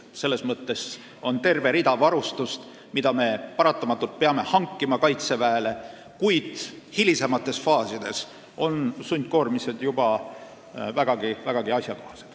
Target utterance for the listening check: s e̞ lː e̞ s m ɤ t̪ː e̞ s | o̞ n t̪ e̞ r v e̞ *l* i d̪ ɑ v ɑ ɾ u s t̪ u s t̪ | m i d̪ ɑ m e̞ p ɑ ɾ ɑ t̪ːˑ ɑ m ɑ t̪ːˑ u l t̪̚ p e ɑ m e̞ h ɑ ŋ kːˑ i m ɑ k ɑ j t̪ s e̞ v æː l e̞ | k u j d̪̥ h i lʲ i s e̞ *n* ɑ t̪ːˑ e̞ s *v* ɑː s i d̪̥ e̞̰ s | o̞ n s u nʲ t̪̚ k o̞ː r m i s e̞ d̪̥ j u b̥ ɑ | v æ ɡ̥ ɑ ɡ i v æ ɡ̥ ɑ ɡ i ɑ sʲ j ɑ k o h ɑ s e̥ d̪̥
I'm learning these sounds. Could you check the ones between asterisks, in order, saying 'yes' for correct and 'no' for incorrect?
no, no, no

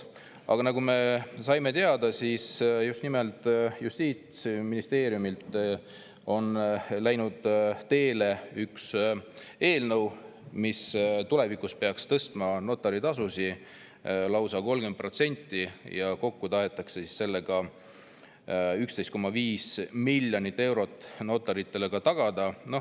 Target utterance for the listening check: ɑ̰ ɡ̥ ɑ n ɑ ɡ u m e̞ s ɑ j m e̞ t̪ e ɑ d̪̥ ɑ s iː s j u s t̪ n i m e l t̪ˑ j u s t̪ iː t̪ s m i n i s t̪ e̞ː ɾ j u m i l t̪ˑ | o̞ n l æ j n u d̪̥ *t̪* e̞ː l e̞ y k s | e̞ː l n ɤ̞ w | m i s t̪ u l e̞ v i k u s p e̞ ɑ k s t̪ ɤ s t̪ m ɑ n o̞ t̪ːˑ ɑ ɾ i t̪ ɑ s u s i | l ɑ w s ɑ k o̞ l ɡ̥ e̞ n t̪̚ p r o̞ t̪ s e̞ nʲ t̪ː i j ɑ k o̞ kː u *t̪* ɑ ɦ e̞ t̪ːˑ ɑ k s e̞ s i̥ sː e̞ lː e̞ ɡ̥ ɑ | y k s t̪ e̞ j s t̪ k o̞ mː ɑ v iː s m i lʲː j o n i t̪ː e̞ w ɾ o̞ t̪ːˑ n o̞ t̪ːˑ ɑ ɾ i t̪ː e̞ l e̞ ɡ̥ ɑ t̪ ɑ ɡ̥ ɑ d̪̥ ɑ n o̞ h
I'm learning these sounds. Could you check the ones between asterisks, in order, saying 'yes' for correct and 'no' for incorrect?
yes, yes

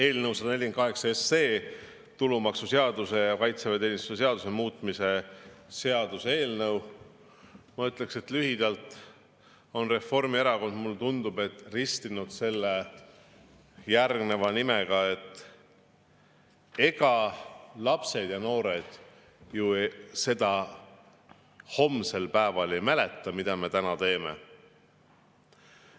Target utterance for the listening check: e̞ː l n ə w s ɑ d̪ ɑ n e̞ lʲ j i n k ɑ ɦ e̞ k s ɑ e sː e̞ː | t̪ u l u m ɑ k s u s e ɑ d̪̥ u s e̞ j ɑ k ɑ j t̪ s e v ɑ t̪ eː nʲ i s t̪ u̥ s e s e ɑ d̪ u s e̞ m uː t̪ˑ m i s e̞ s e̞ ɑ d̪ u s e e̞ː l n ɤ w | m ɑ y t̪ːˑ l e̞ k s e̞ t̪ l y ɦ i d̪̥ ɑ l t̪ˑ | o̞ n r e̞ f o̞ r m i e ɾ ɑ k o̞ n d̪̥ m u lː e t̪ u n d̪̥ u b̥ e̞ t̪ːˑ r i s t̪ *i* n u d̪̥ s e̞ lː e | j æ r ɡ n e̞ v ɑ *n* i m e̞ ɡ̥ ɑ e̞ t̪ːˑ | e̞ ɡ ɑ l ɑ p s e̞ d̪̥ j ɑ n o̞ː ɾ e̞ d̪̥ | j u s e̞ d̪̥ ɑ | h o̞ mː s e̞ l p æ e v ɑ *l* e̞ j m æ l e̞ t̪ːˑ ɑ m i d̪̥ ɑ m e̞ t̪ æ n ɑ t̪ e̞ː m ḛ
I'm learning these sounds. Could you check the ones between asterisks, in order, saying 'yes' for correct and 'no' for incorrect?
yes, yes, yes

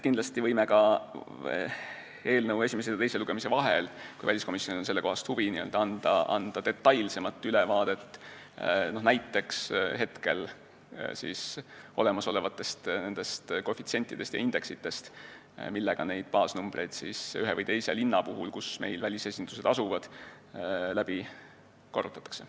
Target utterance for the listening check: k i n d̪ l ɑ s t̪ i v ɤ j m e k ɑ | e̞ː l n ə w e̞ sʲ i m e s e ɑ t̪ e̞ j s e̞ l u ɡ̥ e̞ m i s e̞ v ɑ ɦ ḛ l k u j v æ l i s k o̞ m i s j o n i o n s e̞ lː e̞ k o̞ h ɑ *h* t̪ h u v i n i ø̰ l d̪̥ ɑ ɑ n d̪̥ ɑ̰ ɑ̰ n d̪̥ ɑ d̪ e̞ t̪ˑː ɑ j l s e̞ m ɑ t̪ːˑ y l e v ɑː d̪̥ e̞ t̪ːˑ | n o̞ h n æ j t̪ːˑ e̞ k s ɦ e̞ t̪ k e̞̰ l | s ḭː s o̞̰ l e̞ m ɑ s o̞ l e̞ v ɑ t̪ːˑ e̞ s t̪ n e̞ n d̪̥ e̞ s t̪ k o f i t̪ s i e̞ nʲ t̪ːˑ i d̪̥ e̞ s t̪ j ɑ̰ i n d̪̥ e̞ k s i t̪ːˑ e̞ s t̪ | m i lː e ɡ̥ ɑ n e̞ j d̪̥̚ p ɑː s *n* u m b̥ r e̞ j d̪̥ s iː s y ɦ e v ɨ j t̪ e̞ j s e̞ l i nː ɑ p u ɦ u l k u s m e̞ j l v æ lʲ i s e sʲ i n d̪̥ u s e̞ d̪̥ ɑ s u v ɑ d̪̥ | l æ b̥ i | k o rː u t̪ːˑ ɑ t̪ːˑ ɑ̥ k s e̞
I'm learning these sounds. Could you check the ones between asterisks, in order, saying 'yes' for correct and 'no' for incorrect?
no, yes

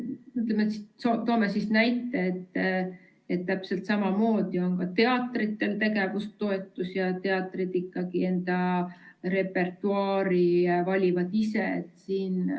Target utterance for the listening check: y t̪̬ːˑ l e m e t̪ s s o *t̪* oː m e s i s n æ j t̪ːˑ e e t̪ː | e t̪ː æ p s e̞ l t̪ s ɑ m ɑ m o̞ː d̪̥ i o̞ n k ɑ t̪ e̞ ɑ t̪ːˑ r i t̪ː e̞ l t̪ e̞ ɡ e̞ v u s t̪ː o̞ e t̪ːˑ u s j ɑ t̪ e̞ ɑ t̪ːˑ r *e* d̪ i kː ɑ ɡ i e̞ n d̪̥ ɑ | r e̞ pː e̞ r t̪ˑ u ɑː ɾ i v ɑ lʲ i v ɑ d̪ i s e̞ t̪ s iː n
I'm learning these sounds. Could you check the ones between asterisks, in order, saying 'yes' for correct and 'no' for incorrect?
yes, no

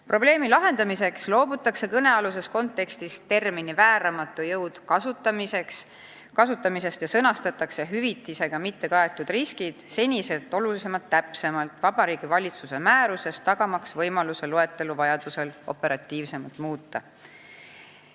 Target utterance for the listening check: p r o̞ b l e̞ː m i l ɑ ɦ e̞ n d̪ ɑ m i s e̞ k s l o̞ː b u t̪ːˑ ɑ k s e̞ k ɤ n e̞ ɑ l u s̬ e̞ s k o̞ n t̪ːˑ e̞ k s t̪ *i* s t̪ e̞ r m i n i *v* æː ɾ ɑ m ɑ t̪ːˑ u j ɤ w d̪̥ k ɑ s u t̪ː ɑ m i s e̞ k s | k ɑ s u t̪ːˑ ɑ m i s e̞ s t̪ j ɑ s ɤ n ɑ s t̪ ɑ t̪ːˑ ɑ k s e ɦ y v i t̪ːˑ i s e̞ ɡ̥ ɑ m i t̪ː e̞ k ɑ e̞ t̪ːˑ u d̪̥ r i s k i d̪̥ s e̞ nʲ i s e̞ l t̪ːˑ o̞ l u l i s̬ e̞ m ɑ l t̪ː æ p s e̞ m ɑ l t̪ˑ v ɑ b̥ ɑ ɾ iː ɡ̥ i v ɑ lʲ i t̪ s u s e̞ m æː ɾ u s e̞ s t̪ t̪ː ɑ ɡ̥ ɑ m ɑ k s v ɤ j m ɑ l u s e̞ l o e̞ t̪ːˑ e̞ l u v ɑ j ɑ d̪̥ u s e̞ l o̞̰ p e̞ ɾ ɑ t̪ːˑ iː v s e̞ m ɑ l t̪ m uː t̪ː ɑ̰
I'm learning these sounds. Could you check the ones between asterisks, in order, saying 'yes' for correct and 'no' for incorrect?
yes, yes

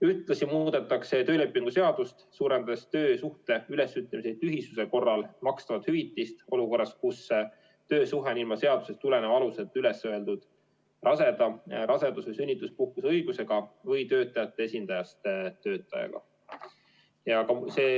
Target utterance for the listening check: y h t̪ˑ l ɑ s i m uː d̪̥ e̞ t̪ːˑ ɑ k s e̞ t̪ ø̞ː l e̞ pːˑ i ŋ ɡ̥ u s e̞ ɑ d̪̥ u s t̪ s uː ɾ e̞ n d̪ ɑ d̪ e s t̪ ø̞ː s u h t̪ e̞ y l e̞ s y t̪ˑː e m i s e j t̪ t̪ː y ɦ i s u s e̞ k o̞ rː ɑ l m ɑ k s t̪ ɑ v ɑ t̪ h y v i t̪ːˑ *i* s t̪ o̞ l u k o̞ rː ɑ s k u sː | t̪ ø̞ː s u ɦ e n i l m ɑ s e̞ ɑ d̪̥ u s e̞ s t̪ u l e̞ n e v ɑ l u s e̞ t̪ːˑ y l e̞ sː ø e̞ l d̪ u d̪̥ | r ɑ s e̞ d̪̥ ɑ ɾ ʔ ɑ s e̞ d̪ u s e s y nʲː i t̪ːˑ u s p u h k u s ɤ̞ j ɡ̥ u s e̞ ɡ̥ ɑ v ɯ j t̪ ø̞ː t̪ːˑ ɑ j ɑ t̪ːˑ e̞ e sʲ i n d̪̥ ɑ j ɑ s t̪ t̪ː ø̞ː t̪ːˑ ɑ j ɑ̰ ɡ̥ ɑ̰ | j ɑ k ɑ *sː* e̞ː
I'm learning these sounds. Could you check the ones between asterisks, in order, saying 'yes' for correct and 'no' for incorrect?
yes, no

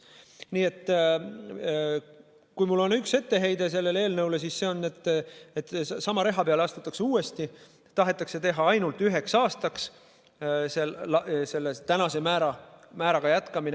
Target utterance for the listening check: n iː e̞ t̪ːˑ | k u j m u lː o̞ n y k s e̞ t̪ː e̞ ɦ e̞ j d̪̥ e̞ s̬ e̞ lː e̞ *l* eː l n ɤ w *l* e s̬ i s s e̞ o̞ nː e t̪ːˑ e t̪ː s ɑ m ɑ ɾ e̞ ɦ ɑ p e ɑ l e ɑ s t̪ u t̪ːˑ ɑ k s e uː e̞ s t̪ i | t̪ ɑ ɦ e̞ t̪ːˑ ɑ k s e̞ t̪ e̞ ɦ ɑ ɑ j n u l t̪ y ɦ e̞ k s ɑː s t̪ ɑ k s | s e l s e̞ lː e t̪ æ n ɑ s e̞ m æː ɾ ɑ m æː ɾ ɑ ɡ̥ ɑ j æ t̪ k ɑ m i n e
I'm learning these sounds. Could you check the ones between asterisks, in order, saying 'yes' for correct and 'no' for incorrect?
yes, yes

